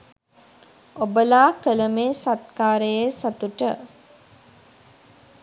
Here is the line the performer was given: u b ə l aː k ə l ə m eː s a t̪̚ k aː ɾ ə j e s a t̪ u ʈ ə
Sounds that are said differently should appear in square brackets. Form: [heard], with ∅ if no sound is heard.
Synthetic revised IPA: [o] b ə l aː k ə l ə m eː s a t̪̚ k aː ɾ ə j e s a t̪ u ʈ ə